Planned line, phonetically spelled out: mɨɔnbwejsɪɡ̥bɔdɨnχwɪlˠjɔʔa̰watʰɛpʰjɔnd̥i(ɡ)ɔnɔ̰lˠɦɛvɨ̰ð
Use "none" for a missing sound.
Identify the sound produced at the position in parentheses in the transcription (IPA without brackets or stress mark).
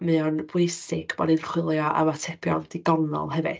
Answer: ɡ